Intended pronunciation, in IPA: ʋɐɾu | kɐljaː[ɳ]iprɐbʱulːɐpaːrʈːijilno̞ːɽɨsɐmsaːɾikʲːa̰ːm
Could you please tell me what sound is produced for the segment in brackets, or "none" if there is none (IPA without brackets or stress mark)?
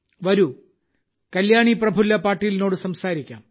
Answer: ɳ